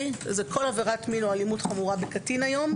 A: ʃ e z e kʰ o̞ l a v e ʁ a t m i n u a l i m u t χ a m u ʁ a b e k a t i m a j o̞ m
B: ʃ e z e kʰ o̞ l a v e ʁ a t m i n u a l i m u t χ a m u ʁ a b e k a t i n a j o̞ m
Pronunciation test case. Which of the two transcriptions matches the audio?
B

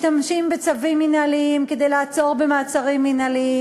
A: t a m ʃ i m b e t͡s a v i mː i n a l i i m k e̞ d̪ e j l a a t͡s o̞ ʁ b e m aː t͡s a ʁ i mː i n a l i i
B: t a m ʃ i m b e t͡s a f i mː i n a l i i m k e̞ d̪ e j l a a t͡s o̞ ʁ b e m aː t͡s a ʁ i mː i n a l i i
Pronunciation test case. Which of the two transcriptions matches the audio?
A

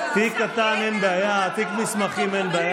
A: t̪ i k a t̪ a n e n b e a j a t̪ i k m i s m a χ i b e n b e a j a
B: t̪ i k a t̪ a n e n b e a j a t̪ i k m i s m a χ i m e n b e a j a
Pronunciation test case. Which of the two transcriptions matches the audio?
B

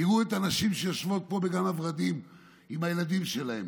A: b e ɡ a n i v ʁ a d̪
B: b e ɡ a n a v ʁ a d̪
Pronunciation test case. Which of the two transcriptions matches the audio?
B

